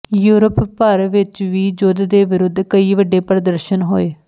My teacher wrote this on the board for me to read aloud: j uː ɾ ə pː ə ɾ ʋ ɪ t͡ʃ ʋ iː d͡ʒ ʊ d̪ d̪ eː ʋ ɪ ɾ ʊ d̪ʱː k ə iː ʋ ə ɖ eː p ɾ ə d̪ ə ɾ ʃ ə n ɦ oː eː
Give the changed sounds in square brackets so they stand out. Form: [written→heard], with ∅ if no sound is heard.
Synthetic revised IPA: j uː ɾ ə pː ə ɾ ʋ ɪ t͡ʃ ʋ iː d͡ʒ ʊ d̪ d̪ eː ʋ ɪ ɾ ʊ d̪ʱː k ə iː ʋ ə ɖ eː p ɾ ə d̪ ə ɾ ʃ ə n ɦ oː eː